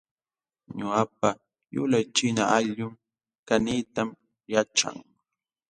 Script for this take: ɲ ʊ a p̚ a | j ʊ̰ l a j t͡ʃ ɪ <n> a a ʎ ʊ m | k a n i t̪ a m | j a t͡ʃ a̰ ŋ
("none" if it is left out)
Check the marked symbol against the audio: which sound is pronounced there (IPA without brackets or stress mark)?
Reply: n